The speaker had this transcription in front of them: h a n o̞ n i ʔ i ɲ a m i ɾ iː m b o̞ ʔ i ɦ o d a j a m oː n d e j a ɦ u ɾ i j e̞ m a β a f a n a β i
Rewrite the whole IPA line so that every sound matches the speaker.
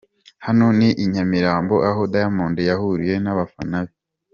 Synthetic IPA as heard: h a n o̞ n i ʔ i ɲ a m i ɾ aː m b o̞ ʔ a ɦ o d a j a m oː n d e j a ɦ u ɾ i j e̞ n a β a f a n a β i

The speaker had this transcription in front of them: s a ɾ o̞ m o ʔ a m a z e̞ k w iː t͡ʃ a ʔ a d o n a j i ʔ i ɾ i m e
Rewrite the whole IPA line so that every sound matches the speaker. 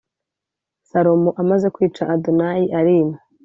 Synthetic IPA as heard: s a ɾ o̞ m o ʔ a m a z e̞ k w iː t͡ʃ a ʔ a d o n a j i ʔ a ɾ i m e

